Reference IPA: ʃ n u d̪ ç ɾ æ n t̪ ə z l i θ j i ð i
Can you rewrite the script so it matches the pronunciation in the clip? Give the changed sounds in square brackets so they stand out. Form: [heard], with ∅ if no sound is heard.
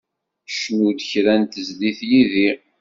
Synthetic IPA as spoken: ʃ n u d̪ ç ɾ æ n t̪ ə z l i θ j i ð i